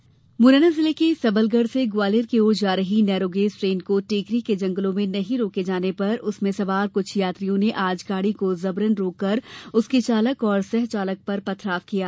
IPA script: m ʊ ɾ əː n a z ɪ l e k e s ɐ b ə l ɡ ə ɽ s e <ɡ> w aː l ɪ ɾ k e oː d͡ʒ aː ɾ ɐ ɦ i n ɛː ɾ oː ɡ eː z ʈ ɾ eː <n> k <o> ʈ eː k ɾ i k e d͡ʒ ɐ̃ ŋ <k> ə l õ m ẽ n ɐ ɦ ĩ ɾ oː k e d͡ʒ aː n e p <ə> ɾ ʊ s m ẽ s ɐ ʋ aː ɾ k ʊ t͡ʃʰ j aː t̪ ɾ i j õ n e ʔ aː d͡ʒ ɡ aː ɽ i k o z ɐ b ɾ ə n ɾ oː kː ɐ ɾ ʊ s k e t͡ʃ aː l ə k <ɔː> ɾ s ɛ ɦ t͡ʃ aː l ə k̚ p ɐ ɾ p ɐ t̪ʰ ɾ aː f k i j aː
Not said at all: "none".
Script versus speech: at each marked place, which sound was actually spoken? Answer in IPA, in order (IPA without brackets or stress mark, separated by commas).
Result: ɡ, n, o, ɡ, ɐ, ɔː